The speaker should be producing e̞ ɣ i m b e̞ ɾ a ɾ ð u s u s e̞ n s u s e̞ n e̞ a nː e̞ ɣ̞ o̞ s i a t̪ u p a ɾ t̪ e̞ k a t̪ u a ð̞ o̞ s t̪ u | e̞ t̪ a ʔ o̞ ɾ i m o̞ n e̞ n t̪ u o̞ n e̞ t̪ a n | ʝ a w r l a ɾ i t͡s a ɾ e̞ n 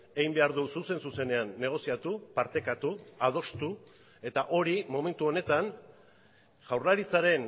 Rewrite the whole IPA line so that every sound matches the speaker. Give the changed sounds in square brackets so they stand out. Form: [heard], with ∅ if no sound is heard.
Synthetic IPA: e̞ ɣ i m b e̞ [∅] a ɾ ð u s u s e̞ n s u s e̞ n e̞ a nː e̞ ɣ̞ o̞ s i a t̪ u p a ɾ t̪ e̞ k a t̪ u a ð̞ o̞ s t̪ u | e̞ t̪ a ʔ o̞ ɾ i m o̞ [m] e̞ n t̪ u o̞ n e̞ t̪ a n | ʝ a w r l a ɾ i t͡s a ɾ e̞ n